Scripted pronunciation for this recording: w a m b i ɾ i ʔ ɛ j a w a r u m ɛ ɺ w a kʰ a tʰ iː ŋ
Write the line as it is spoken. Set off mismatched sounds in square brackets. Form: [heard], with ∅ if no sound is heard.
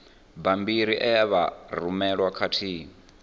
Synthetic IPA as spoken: [b] a m b i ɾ i ʔ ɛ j a [β] a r u m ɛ ɺ w a kʰ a tʰ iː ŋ